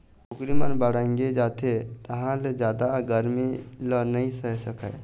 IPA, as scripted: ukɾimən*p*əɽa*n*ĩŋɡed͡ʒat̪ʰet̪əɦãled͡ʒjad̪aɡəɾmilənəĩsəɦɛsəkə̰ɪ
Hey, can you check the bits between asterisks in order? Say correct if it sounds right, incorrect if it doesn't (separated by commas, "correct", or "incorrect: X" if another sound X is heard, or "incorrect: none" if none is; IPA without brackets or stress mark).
incorrect: b, incorrect: none